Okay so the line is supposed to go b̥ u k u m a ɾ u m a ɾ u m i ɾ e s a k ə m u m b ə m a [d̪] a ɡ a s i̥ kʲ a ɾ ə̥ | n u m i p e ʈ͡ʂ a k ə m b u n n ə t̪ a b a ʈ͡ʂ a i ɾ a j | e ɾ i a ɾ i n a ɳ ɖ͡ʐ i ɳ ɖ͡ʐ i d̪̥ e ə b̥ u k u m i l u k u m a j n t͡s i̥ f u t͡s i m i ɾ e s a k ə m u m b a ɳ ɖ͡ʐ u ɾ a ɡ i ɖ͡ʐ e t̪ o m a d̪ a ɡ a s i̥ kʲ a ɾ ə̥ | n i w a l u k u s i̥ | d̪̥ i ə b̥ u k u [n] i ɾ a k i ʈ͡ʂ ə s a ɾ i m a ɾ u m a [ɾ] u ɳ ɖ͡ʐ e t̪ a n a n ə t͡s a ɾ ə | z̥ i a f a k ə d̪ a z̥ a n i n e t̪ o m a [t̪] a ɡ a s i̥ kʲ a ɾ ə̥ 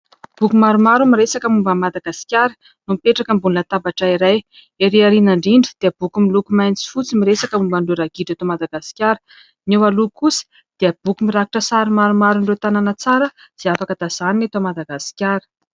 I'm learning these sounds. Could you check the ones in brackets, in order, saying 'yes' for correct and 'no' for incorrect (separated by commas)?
yes, no, yes, no